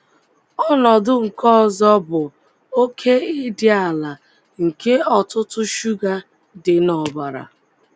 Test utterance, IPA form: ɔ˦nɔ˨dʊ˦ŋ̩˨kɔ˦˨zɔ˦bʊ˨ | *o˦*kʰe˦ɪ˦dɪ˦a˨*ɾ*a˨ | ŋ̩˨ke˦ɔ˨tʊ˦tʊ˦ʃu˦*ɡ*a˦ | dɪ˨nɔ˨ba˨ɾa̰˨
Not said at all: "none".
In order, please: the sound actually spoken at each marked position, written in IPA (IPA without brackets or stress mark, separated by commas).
o˦, l, ɡ